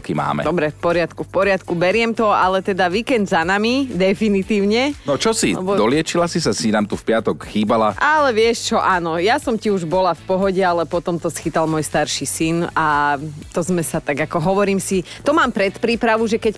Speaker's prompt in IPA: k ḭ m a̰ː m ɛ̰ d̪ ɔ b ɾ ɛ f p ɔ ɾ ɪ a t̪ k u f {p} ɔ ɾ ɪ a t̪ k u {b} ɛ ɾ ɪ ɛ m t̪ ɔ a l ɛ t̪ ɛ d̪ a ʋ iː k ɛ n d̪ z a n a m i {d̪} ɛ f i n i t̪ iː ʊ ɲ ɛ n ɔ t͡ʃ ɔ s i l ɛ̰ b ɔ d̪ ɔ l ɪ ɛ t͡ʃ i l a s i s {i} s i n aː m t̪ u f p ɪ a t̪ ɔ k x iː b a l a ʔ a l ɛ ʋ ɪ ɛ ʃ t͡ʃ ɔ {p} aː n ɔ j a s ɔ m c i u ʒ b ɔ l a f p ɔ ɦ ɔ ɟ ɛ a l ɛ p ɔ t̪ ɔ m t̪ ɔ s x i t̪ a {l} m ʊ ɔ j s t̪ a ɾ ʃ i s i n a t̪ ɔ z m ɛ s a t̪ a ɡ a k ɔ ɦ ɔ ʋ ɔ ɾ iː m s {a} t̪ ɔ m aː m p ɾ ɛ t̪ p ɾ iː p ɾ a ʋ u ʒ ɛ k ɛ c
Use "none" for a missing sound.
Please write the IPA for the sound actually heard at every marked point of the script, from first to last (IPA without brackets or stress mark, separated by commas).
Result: p, b, d̪, a, ʔ, l, i